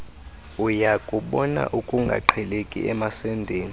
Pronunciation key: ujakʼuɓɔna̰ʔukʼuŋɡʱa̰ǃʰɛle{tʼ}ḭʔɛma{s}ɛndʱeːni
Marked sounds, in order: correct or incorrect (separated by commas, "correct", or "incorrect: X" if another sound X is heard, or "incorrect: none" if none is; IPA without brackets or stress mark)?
incorrect: kʼ, correct